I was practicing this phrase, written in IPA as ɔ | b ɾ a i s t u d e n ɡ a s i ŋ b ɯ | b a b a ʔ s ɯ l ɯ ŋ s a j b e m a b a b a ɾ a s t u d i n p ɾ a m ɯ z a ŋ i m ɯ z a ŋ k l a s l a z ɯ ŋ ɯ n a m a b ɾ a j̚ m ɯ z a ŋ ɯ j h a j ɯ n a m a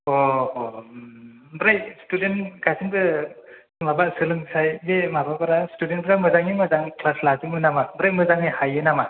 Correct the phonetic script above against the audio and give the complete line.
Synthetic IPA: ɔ | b ɾ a j s t u d e n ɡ a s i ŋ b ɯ | m a b a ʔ s ɯ l ɯ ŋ s a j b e m a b a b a ɾ a s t u d e n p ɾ a m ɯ z a ŋ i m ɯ z a ŋ k l a s l a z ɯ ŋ ɯ n a m a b ɾ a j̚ m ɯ z a ŋ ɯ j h a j ɯ n a m a